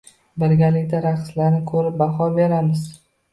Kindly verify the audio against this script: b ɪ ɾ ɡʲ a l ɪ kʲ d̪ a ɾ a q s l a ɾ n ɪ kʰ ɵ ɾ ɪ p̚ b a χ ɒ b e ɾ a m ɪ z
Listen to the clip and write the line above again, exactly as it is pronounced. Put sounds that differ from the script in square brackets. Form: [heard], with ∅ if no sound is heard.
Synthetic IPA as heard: b ɪ ɾ ɡʲ a l ɪ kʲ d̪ a ɾ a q s l a ɾ n ɪ kʰ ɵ ɾ ɪ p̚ b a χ ɒ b e ɾ a m ɪ z

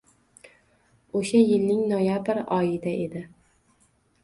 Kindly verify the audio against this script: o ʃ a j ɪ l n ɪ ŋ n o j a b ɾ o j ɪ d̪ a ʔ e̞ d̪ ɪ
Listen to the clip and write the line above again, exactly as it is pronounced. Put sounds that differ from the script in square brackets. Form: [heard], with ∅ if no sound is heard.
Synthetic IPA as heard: o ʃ a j ɪ l n ɪ ŋ n o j a b ɾ [ɒ] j ɪ d̪ a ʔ e̞ d̪ ɪ

